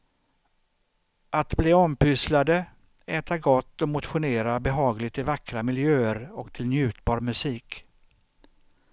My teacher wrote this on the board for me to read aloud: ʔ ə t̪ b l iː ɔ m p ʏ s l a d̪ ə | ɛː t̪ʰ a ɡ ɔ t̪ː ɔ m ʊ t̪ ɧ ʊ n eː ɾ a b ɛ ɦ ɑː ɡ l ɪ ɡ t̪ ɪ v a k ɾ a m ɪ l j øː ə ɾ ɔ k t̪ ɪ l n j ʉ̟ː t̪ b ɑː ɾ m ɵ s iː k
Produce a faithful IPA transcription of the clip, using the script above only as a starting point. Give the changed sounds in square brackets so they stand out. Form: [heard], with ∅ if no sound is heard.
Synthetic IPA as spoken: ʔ [a] t̪ b l iː ɔ m p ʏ s l a d̪ ə | ɛː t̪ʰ a ɡ ɔ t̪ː ɔ m ʊ t̪ ɧ ʊ n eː ɾ a b ɛ ɦ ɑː ɡ l ɪ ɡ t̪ ɪ v a k ɾ a m ɪ l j øː ə ɾ ɔ k [t̪ʰ] ɪ l n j ʉ̟ː t̪ b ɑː ɾ m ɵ s iː k